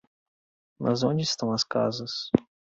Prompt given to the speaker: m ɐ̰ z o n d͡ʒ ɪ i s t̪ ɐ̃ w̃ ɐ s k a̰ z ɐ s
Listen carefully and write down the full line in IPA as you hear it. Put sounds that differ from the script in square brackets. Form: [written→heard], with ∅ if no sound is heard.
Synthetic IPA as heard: m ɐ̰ z [o→õ] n d͡ʒ ɪ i s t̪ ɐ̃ w̃ ɐ s k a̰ z ɐ s